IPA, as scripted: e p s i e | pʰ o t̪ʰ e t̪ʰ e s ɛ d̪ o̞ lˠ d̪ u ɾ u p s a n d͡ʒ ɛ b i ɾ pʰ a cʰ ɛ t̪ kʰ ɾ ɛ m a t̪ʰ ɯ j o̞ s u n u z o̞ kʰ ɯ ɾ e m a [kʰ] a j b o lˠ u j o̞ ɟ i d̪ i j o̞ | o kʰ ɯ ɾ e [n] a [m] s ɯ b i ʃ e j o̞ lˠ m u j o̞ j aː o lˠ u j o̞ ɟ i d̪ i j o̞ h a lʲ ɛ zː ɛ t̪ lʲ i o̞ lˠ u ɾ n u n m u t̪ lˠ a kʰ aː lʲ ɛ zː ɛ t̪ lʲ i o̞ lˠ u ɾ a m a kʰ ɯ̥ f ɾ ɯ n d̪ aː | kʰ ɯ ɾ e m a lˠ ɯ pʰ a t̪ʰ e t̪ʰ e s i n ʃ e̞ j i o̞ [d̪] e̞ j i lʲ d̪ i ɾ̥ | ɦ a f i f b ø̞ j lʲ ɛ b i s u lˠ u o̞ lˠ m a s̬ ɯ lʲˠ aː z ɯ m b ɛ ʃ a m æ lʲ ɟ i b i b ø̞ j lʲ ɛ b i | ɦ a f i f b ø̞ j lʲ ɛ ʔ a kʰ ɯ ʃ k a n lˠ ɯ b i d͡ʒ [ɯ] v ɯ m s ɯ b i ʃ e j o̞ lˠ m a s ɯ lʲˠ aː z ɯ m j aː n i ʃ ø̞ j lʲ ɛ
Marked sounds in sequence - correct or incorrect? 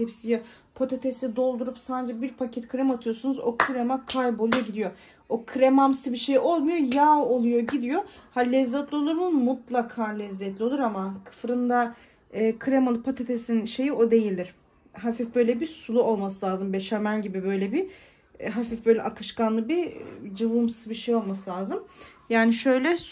correct, incorrect, correct, correct, correct

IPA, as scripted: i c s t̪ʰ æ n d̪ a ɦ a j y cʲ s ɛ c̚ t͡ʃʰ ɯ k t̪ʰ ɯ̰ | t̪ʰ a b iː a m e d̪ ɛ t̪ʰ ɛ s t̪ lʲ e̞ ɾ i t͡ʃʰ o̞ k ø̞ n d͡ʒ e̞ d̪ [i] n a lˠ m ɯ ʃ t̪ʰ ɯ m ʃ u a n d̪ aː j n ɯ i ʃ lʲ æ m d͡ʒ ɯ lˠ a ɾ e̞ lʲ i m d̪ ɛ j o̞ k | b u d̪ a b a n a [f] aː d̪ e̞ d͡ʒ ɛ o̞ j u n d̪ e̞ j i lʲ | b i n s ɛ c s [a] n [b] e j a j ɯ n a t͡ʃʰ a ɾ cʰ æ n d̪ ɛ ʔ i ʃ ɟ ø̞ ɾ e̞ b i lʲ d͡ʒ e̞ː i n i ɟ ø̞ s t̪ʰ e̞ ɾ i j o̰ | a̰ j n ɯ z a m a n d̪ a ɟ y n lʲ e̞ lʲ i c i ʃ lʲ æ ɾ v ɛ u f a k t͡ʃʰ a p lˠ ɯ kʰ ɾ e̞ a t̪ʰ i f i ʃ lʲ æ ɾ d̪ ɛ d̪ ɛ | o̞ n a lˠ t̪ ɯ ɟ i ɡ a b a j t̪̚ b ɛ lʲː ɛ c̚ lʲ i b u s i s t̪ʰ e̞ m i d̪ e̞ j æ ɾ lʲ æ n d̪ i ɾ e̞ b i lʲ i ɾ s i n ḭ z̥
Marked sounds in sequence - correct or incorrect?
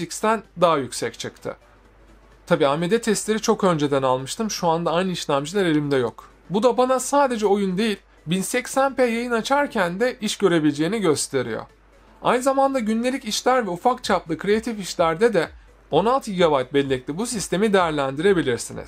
incorrect, incorrect, incorrect, incorrect

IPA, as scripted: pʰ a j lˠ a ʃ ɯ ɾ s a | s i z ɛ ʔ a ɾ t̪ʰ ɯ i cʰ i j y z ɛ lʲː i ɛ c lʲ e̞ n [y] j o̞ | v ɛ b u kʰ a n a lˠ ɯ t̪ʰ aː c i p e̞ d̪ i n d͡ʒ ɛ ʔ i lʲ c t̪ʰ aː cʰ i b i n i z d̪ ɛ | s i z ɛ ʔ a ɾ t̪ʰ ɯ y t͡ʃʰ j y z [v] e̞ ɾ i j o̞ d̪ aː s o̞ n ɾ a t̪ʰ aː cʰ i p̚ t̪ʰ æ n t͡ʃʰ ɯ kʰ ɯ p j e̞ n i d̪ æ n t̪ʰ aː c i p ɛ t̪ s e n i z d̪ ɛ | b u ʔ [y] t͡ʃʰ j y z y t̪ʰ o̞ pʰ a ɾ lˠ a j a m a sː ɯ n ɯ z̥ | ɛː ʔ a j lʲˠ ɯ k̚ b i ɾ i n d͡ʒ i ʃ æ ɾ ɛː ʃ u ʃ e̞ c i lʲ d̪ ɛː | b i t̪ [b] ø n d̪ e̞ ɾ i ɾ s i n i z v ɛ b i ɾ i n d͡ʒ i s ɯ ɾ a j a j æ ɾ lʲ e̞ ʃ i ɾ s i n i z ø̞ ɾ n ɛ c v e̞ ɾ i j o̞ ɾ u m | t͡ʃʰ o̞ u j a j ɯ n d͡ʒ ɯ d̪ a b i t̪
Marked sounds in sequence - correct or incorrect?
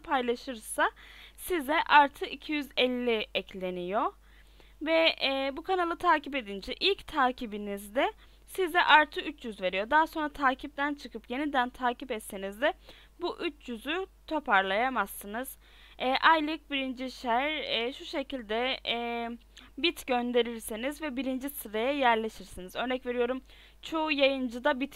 incorrect, correct, correct, incorrect

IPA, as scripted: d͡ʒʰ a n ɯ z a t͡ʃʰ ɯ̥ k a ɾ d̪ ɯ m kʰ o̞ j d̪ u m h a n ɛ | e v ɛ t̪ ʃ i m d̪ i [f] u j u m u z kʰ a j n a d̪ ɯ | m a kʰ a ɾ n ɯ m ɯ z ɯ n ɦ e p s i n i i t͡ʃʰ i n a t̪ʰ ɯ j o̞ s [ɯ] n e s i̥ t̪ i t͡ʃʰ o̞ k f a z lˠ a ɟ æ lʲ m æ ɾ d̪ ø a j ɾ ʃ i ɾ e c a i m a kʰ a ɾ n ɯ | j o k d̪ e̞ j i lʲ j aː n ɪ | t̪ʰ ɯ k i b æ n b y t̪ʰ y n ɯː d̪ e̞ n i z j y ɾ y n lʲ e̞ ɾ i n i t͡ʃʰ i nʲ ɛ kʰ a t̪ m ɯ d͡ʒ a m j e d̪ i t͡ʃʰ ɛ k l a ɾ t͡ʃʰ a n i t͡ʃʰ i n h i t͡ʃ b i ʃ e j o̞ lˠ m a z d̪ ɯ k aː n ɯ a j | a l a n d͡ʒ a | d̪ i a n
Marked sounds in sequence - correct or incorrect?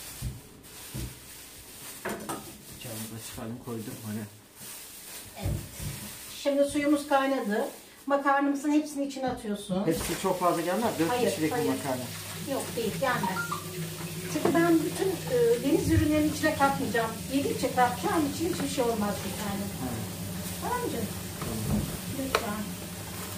incorrect, incorrect

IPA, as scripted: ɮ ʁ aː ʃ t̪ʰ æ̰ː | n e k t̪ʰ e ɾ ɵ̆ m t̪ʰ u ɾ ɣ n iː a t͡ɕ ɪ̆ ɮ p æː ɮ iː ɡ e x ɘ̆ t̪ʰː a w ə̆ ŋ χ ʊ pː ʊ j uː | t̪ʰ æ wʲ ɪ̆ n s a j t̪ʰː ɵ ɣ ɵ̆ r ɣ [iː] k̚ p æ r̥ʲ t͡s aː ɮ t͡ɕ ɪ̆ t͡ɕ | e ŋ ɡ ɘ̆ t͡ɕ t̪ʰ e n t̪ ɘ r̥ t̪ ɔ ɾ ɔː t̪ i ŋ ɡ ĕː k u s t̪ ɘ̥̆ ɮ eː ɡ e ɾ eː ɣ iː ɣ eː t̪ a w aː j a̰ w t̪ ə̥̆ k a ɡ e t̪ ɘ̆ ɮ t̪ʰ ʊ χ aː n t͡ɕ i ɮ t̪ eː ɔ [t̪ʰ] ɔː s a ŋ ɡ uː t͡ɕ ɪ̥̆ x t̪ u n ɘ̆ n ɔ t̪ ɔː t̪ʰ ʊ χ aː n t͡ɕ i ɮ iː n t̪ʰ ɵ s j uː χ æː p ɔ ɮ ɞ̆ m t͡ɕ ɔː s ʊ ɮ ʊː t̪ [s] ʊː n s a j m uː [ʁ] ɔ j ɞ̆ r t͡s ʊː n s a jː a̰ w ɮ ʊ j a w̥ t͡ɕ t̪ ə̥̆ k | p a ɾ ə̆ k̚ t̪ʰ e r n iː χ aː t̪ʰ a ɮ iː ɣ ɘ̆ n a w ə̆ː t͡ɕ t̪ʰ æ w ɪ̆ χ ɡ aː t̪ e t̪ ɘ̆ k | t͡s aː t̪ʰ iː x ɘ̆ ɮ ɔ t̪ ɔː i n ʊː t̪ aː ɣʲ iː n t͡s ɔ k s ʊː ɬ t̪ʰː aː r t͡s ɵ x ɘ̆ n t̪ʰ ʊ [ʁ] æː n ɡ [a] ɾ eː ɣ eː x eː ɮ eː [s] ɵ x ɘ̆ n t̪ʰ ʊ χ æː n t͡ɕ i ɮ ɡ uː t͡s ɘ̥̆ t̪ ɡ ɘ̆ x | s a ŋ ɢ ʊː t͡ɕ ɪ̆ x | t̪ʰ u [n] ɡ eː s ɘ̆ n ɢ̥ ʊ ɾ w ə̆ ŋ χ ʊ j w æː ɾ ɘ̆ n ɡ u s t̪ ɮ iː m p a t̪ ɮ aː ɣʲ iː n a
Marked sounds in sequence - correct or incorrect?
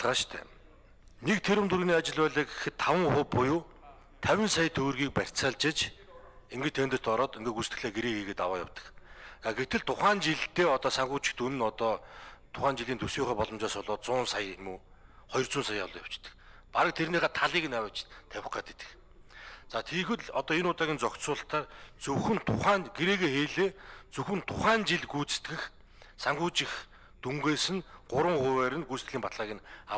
correct, incorrect, incorrect, incorrect, incorrect, incorrect, incorrect, incorrect

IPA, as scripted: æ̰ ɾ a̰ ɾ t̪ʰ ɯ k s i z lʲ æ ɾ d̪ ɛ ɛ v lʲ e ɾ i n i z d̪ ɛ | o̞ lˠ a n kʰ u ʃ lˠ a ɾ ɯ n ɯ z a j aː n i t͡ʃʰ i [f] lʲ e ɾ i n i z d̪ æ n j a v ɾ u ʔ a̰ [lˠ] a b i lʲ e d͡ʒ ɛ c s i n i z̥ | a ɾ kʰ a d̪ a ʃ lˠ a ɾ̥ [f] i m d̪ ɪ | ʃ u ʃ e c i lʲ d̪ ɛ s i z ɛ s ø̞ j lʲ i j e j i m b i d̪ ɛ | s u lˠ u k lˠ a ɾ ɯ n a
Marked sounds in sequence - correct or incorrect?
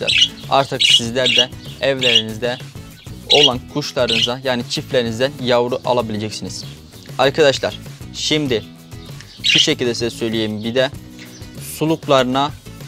correct, correct, incorrect

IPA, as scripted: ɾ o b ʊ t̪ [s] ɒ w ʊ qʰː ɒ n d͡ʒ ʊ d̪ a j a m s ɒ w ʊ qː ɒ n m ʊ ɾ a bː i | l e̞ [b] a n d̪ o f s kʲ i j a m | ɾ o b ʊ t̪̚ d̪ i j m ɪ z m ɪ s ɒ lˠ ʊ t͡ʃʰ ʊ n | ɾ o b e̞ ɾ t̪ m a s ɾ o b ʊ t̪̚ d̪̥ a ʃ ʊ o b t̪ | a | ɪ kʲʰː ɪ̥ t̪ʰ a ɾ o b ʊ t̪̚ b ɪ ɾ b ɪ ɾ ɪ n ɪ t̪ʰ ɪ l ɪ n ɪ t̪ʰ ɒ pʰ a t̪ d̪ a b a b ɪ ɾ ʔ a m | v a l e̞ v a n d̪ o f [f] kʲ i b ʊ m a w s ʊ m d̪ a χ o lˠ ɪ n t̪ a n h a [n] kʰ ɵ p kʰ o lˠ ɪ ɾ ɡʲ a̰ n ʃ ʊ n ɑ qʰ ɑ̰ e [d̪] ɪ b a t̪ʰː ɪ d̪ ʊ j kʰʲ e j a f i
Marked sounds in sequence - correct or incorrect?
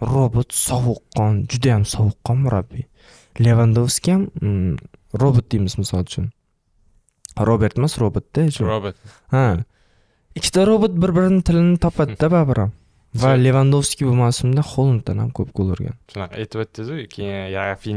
correct, incorrect, incorrect, incorrect, incorrect

